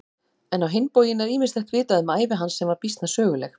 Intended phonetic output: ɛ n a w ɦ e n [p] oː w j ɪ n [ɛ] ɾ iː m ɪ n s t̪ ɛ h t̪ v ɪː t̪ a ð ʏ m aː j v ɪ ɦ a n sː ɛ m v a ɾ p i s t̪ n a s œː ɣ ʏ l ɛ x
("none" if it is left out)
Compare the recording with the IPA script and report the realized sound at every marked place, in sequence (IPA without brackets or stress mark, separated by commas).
p, ɛ